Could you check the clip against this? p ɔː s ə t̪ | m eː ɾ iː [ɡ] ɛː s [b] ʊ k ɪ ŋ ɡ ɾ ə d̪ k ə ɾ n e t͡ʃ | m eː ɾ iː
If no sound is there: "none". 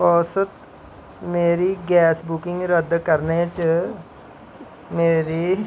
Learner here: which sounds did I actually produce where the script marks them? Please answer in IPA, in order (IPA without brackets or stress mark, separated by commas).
ɡ, b